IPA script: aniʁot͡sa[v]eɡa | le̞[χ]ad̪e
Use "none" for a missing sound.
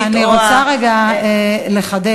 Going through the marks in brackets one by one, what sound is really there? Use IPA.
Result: ʁ, χ

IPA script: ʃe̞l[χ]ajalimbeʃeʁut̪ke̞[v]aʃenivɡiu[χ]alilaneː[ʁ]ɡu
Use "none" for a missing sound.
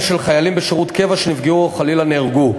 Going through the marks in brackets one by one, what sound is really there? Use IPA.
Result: χ, v, χ, ʁ

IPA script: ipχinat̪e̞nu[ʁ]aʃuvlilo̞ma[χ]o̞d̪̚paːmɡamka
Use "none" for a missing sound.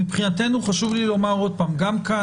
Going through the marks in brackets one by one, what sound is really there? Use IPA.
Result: χ, ʁ

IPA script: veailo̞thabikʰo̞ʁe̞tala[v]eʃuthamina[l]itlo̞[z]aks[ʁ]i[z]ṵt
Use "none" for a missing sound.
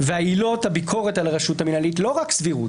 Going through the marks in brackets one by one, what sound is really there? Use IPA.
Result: ʁ, l, ʁ, v, ʁ

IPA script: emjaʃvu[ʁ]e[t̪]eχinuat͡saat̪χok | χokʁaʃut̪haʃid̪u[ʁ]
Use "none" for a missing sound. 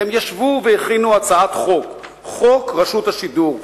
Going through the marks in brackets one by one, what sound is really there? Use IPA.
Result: v, none, ʁ

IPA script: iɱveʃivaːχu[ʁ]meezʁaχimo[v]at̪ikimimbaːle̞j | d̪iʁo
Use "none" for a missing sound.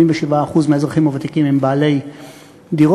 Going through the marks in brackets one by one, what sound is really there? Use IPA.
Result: z, v

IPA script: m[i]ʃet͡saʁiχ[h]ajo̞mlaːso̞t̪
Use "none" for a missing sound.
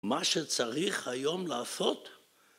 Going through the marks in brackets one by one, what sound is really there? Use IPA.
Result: a, h

